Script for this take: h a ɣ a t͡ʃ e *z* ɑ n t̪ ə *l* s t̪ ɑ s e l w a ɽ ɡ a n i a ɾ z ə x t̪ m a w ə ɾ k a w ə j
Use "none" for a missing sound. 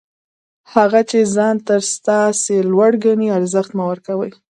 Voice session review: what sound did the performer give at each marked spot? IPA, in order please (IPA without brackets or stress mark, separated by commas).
z, ɾ